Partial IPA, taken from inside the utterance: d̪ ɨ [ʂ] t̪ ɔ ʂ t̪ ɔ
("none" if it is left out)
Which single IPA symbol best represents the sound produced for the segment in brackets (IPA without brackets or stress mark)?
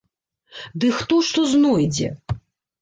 x